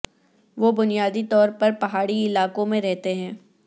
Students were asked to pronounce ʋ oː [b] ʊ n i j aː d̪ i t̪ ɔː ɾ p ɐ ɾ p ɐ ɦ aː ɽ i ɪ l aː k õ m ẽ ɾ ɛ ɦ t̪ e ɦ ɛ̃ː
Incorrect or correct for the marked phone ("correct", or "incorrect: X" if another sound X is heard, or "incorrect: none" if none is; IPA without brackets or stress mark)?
correct